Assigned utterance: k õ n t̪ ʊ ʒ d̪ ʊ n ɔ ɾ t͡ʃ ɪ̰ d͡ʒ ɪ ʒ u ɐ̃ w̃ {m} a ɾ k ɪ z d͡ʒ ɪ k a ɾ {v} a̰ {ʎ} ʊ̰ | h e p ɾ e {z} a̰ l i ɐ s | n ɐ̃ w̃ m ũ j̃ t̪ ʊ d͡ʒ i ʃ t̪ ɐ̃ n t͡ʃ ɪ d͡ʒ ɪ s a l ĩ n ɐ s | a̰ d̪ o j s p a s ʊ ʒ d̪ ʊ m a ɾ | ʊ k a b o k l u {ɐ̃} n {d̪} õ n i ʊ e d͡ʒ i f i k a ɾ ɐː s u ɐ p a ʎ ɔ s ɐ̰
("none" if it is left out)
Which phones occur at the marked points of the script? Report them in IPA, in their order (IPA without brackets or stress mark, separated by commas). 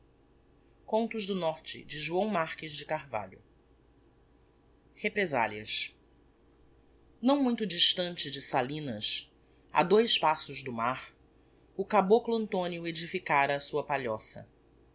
m, v, ʎ, z, ɐ̃, t̪